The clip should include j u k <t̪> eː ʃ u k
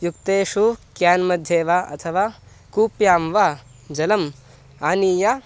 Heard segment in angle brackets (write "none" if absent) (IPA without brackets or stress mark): t̪